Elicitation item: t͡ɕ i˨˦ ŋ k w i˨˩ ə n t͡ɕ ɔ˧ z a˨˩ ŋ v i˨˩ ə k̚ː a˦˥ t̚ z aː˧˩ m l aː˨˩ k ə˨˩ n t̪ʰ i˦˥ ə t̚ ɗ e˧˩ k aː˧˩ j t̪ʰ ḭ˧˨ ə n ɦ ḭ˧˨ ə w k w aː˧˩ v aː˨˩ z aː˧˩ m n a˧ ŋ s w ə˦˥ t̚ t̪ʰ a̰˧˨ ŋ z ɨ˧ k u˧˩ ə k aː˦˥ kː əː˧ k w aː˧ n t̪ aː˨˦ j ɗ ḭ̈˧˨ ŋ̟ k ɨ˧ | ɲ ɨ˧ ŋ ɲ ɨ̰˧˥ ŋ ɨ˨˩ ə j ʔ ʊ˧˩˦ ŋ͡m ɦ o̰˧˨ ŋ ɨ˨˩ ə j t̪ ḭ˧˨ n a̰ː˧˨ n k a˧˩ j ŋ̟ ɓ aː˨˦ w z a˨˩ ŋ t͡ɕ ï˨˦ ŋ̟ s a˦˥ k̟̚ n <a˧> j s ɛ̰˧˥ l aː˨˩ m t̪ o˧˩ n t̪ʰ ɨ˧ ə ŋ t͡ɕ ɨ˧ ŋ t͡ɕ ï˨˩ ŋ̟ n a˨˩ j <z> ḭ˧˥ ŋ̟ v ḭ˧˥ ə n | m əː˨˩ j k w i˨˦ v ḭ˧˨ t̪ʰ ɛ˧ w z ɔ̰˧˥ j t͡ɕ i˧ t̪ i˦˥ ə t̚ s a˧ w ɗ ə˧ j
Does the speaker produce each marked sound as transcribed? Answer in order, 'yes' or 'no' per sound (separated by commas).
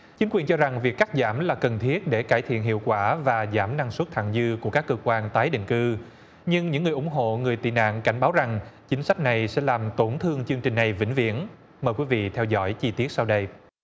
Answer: no, no